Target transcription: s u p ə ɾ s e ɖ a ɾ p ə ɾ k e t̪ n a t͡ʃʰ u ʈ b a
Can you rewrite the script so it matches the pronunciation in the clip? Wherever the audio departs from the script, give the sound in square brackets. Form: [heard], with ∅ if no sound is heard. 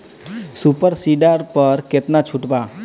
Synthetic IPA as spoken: s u p ə ɾ s [i] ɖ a ɾ p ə ɾ k e t̪ n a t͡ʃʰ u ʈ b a